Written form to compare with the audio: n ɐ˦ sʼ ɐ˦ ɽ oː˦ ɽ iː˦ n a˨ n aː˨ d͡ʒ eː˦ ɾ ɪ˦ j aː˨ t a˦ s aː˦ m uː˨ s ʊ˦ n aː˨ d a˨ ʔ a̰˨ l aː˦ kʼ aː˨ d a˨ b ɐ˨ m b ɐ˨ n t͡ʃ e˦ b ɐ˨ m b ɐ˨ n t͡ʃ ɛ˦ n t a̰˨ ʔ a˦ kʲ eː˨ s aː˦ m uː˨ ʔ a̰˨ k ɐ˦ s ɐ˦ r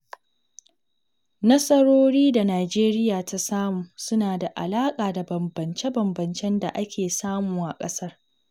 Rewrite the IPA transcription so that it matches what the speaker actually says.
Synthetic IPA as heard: n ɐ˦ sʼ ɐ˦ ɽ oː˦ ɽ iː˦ d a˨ n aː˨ d͡ʒ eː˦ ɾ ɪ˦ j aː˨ t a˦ s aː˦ m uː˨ s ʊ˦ n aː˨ d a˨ ʔ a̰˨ l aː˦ kʼ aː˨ d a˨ b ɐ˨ m b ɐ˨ n t͡ʃ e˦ b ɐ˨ m b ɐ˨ n t͡ʃ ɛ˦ n d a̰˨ ʔ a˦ kʲ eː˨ s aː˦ m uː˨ ʔ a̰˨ kʼ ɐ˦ s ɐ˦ r